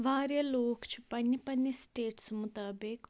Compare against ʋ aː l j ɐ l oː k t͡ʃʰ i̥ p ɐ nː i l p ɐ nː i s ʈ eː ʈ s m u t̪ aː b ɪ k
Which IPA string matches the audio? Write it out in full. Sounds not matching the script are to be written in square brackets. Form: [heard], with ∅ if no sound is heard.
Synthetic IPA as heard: ʋ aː [ɾ] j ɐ l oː k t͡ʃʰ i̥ p ɐ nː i [∅] p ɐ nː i s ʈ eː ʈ s m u t̪ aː b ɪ k